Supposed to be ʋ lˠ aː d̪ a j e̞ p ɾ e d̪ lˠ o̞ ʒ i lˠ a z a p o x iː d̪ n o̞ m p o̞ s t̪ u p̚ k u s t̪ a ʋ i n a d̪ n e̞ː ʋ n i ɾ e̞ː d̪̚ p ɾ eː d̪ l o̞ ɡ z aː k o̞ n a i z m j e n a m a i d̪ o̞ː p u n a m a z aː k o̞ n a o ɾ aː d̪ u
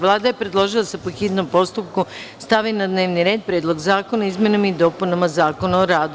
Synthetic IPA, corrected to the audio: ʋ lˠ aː d̪ a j e̞ p ɾ e d̪ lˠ o̞ ʒ i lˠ a s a p o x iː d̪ n o̞ m p o̞ s t̪ u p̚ k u s t̪ a ʋ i n a d̪ n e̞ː ʋ n i ɾ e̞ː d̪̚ p ɾ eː d̪ l o̞ ɡ z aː k o̞ n a i z m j e n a m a i d̪ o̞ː p u n a m a z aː k o̞ n a o ɾ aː d̪ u